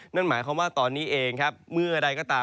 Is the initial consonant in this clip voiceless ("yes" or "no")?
no